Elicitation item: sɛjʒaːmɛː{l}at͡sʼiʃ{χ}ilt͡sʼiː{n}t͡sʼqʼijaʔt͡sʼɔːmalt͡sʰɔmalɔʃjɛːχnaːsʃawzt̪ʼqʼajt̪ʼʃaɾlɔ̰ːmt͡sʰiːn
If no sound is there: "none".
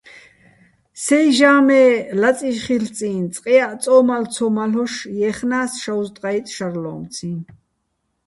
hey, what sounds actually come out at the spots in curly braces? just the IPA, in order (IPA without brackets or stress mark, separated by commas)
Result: l, χ, n